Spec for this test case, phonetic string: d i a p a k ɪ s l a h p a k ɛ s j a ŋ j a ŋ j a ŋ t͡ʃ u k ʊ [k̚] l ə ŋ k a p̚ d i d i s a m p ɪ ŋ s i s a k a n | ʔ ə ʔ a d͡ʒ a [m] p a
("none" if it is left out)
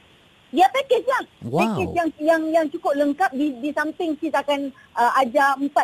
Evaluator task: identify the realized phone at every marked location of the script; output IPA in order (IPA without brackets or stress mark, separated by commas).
p̚, m